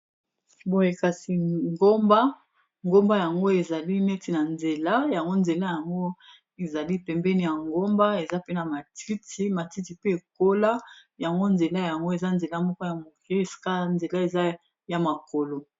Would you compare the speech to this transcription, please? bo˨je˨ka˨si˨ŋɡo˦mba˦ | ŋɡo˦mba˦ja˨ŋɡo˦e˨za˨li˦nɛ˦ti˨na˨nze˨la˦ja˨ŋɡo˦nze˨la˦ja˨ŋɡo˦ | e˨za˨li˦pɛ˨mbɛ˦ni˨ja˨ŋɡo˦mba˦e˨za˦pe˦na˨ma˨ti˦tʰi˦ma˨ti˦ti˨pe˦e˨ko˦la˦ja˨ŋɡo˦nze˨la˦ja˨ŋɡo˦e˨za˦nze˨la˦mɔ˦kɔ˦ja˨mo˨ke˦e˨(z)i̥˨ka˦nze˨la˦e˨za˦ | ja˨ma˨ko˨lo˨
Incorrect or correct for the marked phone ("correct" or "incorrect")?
incorrect